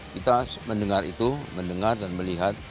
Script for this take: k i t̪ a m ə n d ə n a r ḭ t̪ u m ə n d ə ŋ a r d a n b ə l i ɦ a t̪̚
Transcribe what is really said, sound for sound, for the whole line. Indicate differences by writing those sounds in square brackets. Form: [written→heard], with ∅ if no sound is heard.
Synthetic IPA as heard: k i t̪ a m ə n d ə [n→ŋ] a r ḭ t̪ u m ə n d ə ŋ a r d a n [b→m] ə l i ɦ a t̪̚